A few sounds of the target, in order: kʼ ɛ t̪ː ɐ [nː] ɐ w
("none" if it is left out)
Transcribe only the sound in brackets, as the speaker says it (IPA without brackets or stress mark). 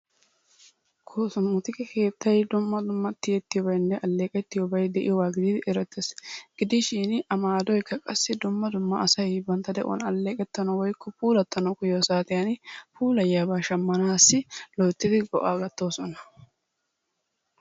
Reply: n